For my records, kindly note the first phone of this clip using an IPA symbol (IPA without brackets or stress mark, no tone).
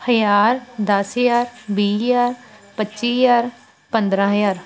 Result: h